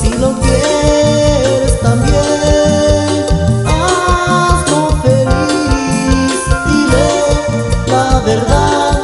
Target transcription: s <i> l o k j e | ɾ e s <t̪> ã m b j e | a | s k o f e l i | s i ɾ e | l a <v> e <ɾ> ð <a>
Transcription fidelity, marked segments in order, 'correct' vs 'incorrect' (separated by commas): correct, correct, incorrect, correct, correct